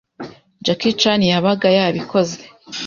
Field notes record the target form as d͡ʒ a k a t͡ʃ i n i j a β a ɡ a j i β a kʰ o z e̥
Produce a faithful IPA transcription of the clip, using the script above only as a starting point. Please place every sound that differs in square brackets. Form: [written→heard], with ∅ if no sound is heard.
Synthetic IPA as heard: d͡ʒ a k [a→i] t͡ʃ [i→a] n i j a β a ɡ a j [i→a] β [a→i] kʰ o z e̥